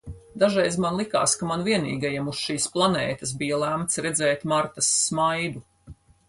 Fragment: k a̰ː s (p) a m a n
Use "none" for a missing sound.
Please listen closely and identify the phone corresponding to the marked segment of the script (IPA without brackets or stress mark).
k